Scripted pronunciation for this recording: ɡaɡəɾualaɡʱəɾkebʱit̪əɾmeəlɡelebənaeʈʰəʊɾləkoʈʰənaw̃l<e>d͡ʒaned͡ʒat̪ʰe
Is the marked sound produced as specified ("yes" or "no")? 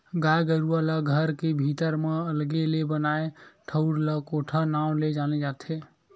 yes